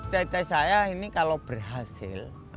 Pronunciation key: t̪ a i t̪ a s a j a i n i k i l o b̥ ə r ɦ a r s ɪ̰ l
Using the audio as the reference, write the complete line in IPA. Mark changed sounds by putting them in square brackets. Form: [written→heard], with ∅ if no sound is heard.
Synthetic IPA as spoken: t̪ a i t̪ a s a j a i n i k [i→a] l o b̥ ə r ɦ a [r→∅] s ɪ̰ l